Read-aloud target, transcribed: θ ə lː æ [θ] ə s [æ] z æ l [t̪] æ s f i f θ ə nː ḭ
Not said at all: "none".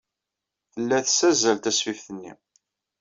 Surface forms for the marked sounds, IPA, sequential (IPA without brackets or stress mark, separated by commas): θ, æ, t̪